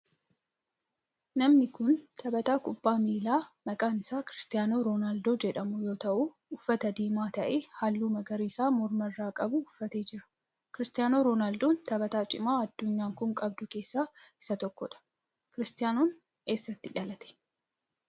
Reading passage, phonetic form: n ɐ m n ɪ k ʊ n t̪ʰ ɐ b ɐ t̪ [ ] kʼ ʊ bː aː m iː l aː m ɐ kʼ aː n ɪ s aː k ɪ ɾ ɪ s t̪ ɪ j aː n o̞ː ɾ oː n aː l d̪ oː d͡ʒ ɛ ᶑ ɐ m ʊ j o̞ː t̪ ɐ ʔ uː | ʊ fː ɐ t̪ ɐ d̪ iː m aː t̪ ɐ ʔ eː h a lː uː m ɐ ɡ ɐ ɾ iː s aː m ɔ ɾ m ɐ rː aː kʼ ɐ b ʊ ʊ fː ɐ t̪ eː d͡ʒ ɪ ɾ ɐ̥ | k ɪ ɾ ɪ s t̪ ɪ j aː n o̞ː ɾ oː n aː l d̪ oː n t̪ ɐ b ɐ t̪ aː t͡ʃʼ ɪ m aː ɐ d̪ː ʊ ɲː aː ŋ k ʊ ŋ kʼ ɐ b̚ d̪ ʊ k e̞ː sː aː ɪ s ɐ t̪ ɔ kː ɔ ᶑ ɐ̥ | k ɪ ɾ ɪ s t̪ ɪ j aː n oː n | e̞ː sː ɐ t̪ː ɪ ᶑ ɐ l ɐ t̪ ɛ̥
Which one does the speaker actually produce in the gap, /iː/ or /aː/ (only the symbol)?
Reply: aː